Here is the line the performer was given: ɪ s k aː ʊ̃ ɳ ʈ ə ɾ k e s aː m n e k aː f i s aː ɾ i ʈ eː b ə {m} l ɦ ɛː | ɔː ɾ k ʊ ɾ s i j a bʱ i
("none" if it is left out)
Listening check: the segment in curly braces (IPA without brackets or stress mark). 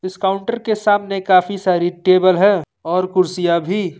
none